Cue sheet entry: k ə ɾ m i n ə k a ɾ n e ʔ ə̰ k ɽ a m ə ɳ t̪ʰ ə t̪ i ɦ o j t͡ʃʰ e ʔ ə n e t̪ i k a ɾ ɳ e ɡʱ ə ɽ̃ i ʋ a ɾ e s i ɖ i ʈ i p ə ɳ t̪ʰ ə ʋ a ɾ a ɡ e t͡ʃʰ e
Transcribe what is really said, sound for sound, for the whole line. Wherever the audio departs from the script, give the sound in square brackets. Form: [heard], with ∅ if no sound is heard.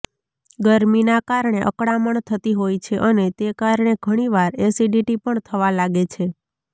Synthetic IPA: [ɡ] ə ɾ m i n [a] k a ɾ [ɳ] e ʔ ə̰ k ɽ a m ə ɳ t̪ʰ ə t̪ i ɦ o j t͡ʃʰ e ʔ ə n e t̪ [e] k a ɾ ɳ e ɡʱ ə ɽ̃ i ʋ a ɾ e s i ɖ i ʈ i p ə ɳ t̪ʰ ə ʋ a [l] a ɡ e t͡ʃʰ e